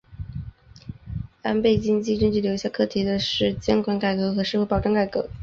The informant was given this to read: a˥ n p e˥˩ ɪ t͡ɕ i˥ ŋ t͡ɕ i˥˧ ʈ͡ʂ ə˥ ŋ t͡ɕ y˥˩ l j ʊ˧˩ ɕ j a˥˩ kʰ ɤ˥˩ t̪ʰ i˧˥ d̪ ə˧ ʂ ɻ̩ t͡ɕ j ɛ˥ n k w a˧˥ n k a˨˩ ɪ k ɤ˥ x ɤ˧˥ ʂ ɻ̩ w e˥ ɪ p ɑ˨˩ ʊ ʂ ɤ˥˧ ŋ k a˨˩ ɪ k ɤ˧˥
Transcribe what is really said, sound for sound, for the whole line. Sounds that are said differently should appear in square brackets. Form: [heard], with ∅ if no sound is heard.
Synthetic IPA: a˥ n p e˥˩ ɪ t͡ɕ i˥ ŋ t͡ɕ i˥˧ ʈ͡ʂ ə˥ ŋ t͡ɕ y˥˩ l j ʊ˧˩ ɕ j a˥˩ kʰ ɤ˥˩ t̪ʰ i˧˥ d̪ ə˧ ʂ ɻ̩ t͡ɕ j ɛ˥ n k w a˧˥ n k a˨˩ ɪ k [ɤ˧˥] x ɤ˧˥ ʂ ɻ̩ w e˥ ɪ p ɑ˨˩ ʊ [ʈ͡ʂ] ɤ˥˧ ŋ k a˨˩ ɪ k ɤ˧˥